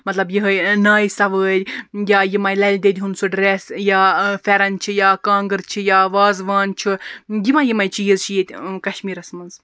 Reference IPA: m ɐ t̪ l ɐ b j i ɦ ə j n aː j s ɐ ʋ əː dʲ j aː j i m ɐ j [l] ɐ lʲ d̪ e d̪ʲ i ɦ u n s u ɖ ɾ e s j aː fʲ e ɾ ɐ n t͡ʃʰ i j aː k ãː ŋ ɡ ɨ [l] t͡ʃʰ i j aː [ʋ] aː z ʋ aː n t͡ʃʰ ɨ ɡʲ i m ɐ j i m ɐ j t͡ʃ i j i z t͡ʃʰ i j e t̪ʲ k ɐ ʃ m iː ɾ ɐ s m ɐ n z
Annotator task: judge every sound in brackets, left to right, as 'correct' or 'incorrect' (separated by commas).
correct, incorrect, correct